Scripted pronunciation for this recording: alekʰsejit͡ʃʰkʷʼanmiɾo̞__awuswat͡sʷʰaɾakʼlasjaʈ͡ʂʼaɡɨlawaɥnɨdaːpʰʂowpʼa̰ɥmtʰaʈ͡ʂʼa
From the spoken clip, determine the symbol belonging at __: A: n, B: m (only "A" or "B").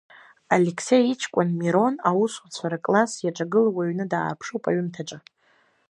A